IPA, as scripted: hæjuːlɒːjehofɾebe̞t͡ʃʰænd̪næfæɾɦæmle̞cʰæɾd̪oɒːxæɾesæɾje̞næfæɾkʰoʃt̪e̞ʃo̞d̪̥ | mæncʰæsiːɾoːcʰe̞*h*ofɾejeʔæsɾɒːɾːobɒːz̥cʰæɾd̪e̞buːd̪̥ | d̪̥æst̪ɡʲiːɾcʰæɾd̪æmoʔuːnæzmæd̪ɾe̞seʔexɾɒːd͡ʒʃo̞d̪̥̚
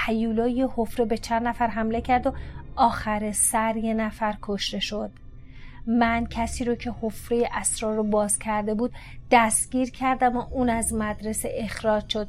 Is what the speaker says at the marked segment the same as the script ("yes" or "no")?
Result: yes